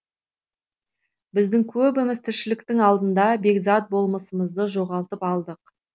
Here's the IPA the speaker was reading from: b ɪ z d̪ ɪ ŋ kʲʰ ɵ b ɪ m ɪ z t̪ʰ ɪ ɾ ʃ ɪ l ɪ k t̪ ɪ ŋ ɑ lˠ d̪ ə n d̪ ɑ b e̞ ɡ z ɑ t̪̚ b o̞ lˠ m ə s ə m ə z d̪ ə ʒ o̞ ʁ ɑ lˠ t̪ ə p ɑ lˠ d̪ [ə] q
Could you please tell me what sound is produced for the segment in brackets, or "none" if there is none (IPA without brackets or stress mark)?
ə